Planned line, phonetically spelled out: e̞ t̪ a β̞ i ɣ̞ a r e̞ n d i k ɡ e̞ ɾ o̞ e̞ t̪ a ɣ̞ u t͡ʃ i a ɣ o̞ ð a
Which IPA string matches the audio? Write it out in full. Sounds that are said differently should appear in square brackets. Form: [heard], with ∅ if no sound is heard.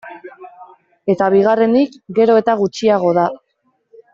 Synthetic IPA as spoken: e̞ t̪ a β̞ i ɣ̞ a r e̞ n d i k ɡ e̞ ɾ o̞ e̞ t̪ a ɣ̞ u t͡ʃ i a ɣ o̞ ð a